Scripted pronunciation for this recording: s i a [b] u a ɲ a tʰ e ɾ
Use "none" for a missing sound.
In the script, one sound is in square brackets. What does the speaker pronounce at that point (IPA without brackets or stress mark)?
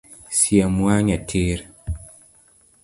m